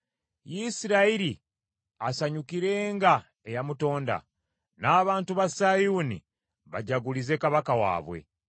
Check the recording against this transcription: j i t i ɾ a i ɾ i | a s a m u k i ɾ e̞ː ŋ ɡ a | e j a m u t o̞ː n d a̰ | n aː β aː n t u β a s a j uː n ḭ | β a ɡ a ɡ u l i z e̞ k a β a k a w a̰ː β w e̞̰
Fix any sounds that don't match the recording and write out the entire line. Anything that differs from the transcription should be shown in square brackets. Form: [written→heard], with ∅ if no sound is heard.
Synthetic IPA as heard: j i [t→s] i ɾ a i ɾ i | a s a [m→ɲ] u k i ɾ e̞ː ŋ ɡ a | e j a m u t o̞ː n d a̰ | n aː β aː n t u β a s a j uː n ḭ | β a [ɡ→ɟ] a ɡ u l i z e̞ k a β a k a w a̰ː β w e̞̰